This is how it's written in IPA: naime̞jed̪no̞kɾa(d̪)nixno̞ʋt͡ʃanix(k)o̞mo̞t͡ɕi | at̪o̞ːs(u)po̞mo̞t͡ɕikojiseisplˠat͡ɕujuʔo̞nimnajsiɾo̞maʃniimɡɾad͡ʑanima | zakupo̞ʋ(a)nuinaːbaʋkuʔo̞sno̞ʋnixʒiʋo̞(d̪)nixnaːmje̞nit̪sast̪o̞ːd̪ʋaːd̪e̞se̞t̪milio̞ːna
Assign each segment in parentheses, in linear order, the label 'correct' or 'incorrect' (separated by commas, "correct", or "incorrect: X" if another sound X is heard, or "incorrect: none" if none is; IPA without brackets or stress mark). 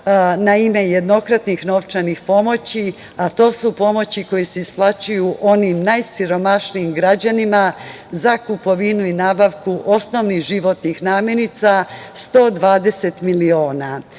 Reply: incorrect: t̪, incorrect: p, correct, incorrect: i, incorrect: t̪